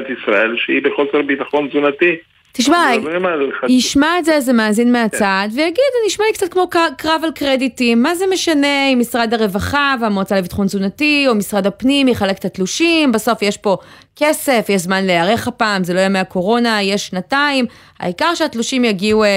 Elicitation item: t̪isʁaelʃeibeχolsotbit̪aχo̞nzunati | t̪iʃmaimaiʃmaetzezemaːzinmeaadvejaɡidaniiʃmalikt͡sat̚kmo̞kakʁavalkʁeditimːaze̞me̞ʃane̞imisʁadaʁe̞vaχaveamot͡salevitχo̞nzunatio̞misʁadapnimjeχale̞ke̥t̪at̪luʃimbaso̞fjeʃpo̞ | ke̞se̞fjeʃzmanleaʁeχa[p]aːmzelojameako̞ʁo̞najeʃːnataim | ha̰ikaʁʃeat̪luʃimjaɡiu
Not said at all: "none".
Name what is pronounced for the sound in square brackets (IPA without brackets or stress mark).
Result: p